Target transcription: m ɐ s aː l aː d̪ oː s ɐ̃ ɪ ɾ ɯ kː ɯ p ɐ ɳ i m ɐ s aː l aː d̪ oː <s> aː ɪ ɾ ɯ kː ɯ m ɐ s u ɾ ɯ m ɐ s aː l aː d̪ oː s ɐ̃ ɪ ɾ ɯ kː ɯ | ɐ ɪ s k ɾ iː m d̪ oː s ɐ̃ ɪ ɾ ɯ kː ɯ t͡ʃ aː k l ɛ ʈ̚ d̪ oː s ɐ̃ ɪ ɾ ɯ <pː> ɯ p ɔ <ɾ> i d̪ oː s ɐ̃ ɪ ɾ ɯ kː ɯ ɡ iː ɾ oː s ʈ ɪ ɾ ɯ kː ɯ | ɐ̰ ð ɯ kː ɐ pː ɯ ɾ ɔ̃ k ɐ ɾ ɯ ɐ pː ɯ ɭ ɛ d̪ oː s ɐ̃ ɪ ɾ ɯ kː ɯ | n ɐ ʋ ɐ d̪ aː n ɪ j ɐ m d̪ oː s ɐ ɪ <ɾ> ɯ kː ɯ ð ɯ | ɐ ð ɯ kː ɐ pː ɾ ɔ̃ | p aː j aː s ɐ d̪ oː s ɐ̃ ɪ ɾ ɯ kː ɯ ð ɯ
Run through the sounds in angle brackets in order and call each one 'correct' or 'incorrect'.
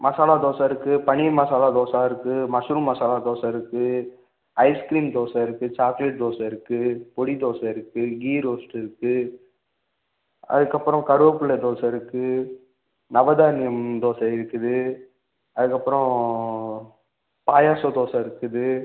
correct, incorrect, incorrect, correct

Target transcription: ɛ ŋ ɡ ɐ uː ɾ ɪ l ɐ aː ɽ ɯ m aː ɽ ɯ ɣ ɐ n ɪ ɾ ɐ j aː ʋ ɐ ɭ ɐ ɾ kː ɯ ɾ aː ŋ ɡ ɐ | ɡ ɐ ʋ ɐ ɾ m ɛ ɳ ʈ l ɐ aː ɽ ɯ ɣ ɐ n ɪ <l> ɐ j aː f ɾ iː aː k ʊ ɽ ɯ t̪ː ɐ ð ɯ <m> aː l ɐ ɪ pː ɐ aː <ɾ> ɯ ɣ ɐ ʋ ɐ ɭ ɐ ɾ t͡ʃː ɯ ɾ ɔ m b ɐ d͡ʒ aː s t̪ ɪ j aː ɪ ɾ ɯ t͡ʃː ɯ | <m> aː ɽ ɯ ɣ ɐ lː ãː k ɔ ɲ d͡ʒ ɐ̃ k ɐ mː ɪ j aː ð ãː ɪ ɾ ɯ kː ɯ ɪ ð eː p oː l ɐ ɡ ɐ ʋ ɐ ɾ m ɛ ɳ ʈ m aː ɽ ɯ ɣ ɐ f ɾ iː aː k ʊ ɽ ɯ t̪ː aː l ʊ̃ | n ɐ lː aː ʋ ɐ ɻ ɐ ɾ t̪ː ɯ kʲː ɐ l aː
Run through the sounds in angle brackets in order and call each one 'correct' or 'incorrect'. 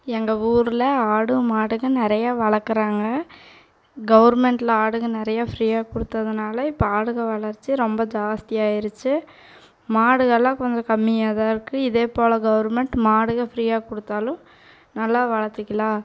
incorrect, incorrect, incorrect, correct

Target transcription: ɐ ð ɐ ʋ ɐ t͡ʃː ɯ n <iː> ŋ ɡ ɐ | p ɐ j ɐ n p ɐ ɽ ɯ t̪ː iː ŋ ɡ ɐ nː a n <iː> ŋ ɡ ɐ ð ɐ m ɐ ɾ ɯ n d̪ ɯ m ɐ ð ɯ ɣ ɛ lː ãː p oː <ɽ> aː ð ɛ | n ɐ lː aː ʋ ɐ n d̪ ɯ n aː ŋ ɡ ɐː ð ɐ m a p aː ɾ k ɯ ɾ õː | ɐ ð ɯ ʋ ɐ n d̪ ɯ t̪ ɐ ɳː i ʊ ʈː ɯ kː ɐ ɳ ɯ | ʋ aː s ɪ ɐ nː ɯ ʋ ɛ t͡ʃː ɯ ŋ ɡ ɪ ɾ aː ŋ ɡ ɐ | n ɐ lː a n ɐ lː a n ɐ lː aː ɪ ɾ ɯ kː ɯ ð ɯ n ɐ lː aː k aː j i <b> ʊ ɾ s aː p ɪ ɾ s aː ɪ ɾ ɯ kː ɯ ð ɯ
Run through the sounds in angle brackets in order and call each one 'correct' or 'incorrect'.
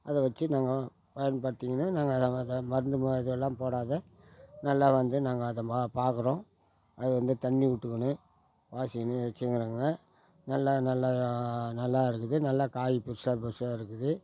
incorrect, incorrect, correct, incorrect

